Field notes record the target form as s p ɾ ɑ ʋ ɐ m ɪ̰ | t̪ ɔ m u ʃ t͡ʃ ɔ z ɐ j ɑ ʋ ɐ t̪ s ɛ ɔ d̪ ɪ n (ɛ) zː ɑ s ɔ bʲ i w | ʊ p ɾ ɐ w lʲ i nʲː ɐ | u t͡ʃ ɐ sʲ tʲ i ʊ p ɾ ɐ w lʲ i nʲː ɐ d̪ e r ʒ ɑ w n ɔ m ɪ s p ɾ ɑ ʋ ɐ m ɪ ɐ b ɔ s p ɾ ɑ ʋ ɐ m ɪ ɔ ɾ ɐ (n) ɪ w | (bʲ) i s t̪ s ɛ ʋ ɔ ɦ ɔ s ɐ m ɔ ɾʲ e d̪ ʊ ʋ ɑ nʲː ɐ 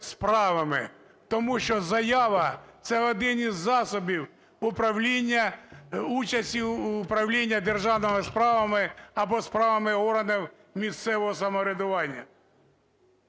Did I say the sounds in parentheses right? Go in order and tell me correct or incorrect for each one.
incorrect: i, correct, incorrect: mʲ

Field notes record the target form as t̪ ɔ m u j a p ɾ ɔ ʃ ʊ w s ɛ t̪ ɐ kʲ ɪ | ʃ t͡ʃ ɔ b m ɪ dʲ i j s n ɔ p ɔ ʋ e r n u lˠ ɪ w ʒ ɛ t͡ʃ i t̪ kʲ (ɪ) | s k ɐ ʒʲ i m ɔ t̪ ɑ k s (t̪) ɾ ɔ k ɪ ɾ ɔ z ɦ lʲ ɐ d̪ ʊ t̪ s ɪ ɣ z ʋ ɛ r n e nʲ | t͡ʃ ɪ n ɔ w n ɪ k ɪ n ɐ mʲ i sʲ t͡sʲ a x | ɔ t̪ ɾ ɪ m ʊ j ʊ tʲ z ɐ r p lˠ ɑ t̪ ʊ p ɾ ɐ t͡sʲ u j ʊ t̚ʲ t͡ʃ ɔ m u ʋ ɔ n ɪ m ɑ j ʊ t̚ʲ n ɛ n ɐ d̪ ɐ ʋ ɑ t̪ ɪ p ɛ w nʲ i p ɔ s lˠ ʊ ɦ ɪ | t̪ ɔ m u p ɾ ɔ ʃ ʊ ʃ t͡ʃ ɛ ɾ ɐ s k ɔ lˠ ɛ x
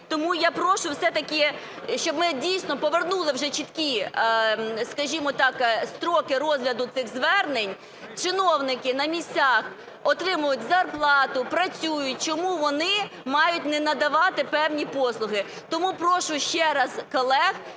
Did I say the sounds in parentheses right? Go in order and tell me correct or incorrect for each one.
incorrect: i, correct

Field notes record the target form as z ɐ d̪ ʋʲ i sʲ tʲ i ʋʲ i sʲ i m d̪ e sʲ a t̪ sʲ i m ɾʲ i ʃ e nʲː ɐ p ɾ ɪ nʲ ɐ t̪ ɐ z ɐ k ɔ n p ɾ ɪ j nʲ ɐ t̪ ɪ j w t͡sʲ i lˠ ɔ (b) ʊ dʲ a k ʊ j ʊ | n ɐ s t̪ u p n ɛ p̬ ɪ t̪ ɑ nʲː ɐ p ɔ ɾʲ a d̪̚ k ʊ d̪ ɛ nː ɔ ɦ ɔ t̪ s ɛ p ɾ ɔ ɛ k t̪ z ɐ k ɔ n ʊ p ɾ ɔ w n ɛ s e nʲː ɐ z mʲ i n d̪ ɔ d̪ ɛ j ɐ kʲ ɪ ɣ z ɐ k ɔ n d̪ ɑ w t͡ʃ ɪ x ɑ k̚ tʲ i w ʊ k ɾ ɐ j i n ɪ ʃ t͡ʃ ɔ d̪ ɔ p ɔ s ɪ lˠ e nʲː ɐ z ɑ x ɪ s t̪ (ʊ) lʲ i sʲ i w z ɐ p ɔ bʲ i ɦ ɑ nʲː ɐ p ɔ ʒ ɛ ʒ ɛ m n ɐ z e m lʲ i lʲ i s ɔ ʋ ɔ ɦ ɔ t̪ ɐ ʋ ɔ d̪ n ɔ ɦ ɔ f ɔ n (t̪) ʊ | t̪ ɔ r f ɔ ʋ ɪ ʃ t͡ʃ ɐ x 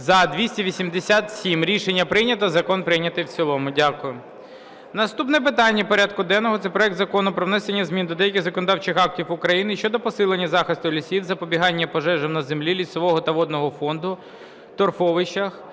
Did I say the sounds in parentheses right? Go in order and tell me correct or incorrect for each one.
incorrect: m, correct, incorrect: d̪

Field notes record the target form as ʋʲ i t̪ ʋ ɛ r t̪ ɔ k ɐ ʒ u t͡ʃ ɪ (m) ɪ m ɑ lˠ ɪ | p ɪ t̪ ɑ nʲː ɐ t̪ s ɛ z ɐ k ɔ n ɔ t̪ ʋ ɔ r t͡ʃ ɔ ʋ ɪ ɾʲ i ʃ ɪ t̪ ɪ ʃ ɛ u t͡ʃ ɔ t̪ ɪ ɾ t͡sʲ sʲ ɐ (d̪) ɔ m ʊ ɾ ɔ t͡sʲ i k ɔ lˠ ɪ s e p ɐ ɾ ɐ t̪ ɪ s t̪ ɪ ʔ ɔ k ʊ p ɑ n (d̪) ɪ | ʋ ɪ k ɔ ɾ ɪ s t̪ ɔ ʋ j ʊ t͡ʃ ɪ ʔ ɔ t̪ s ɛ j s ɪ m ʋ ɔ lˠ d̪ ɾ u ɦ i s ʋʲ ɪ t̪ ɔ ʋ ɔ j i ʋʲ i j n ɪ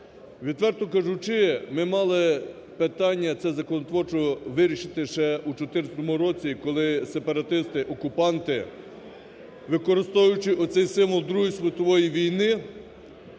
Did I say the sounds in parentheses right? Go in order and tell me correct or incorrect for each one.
correct, incorrect: t̪, incorrect: t̪

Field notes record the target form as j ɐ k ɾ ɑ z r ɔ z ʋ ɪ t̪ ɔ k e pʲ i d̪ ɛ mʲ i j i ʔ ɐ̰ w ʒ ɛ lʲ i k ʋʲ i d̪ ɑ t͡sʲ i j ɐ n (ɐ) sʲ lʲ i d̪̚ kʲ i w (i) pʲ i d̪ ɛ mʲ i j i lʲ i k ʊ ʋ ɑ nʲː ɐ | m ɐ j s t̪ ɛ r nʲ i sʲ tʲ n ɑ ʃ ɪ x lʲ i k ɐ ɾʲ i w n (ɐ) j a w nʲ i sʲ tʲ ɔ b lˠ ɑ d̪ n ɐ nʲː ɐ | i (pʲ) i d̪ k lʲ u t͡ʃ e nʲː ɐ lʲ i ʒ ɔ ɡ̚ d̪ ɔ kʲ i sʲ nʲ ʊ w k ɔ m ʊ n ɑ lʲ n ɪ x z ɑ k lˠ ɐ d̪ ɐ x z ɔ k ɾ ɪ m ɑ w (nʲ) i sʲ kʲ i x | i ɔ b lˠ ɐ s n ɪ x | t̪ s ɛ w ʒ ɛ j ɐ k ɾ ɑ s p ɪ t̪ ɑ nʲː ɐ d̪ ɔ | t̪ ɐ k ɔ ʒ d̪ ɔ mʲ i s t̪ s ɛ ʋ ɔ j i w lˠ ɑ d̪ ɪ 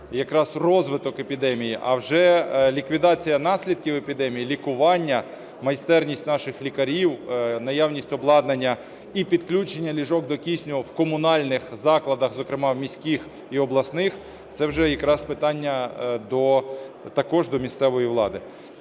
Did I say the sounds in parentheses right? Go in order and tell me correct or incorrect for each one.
incorrect: ɑ, incorrect: e, correct, correct, incorrect: mʲ

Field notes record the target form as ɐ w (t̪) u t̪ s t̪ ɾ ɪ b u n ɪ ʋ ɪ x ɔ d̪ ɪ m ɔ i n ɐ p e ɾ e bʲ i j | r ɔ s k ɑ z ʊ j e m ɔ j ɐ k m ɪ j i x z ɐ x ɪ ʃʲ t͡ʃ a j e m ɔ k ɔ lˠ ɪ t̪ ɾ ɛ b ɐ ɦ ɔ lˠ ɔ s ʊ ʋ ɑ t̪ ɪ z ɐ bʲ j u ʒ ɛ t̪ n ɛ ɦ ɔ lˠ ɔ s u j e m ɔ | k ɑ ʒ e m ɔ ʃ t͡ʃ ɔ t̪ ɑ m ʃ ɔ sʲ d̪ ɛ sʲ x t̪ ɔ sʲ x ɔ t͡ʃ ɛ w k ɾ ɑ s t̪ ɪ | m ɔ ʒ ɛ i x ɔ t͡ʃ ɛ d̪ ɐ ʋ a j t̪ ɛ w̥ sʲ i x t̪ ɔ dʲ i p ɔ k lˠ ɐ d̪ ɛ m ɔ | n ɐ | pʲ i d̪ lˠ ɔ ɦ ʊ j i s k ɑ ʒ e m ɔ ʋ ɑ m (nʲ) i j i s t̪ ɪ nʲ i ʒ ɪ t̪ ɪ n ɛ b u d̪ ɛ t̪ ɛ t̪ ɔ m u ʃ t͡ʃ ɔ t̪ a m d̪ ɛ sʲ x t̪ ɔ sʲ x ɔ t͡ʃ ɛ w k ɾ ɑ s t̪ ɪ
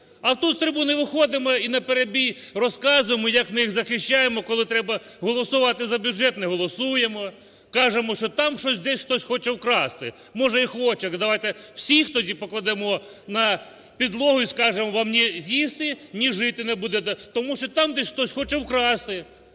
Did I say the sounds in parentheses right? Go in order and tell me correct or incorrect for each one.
correct, correct

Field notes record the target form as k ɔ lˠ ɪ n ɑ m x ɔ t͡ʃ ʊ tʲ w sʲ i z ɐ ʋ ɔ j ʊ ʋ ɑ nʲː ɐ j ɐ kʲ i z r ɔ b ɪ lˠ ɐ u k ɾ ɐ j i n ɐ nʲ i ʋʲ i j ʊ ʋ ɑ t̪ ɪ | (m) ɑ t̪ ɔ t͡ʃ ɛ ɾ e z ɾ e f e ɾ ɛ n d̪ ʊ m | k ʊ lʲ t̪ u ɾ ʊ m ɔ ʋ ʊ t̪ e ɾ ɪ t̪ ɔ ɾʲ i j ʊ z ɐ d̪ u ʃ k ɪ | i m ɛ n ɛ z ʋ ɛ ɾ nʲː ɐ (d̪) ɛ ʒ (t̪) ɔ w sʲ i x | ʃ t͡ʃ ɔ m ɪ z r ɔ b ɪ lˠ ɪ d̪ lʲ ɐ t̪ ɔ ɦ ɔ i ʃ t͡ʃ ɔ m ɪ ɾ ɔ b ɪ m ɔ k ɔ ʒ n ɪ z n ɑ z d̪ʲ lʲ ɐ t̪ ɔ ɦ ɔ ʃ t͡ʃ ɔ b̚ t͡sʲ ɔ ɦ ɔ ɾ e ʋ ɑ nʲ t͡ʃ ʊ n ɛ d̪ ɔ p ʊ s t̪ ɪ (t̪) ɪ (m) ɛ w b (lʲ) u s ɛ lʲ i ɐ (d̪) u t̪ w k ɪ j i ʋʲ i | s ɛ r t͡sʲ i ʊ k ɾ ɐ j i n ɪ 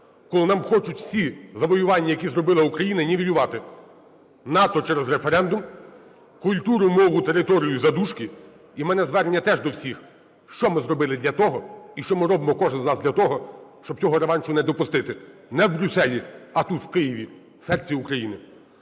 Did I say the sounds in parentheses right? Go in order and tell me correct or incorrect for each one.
incorrect: n, incorrect: t̪, incorrect: d̪, correct, incorrect: n, incorrect: ɾʲ, incorrect: t̪

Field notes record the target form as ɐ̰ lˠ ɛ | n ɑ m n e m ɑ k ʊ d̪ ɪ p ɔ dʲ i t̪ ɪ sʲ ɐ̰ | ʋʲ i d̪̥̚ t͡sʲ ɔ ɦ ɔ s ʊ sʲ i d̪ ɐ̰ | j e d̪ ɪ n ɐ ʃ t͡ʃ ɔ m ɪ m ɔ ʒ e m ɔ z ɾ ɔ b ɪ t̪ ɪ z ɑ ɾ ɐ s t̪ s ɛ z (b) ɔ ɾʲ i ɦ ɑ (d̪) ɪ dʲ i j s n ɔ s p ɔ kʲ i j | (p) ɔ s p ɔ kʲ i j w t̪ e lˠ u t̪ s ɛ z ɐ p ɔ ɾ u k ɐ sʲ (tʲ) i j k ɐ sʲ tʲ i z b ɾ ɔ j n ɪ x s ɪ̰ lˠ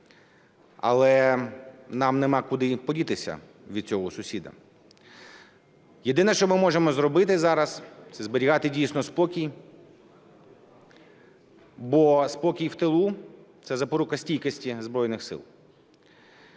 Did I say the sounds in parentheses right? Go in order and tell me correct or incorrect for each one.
correct, incorrect: t̪, incorrect: b, correct

